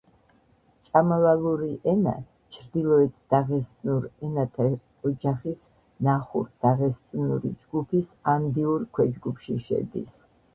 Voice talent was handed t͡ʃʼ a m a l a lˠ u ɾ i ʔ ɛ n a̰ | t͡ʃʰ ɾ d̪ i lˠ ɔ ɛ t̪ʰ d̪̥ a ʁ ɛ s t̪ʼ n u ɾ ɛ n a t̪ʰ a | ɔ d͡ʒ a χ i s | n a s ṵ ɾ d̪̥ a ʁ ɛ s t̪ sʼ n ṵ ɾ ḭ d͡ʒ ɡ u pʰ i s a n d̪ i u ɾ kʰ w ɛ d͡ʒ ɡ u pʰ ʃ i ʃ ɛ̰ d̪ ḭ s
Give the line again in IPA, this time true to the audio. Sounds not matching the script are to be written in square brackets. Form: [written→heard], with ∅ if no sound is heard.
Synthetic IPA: t͡ʃʼ a m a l a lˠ u ɾ i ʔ ɛ n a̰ | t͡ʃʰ ɾ d̪ i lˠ ɔ ɛ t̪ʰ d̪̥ a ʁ ɛ s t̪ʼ n u ɾ ɛ n a t̪ʰ a | ɔ d͡ʒ a χ i s | n a [s→χ] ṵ ɾ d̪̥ a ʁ ɛ s t̪ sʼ n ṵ ɾ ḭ d͡ʒ ɡ u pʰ i s a n d̪ i u ɾ kʰ w ɛ d͡ʒ ɡ u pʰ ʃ i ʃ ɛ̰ d̪ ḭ s